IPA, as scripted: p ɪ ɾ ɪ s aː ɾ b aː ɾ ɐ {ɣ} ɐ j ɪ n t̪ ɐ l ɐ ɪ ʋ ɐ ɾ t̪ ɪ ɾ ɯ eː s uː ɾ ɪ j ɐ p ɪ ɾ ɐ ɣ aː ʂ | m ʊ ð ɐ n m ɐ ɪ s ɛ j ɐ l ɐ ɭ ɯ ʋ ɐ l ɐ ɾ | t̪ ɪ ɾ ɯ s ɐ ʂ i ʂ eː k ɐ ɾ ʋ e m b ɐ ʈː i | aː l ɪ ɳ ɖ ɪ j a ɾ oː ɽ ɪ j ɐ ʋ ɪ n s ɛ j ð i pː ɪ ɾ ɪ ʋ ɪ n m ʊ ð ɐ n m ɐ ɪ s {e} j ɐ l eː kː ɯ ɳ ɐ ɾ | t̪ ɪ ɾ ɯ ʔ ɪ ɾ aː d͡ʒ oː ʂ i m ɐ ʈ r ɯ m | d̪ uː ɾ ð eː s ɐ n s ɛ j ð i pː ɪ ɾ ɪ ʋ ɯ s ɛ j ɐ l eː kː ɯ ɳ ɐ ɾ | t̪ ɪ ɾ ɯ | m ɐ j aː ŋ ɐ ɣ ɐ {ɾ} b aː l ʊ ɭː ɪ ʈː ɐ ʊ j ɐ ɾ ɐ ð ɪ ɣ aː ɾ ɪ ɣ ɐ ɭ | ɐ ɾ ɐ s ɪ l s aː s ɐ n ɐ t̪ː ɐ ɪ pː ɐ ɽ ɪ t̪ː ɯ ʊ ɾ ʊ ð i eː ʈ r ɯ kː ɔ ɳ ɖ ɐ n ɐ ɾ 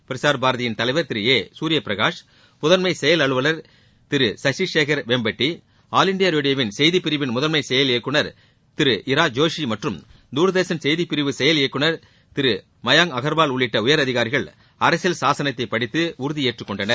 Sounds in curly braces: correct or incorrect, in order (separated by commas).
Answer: incorrect, incorrect, correct